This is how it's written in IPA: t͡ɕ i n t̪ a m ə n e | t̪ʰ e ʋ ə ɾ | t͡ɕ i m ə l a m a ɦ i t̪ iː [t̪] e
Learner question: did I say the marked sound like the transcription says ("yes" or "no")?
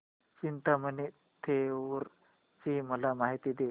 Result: no